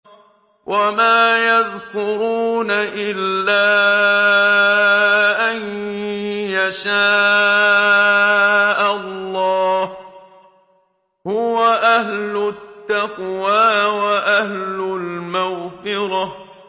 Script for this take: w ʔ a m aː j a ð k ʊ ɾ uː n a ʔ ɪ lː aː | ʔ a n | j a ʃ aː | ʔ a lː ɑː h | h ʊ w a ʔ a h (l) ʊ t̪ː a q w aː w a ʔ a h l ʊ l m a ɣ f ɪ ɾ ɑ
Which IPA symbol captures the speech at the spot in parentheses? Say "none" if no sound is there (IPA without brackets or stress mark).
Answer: l